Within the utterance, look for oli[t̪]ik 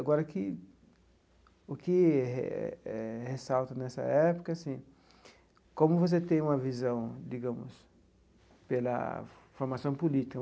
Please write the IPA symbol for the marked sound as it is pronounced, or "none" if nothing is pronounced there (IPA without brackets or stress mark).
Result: t̪